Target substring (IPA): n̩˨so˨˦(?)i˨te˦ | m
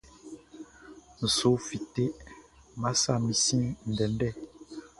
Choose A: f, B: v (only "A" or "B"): A